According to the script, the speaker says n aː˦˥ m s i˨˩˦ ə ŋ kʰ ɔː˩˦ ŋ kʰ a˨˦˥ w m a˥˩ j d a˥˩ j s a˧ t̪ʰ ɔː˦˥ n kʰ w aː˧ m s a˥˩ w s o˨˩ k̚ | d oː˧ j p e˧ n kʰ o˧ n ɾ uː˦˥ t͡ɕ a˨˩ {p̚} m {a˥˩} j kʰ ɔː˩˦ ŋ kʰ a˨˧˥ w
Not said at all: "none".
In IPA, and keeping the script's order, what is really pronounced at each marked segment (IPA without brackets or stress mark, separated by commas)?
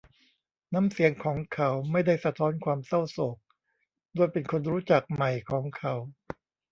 k̚, a˨˩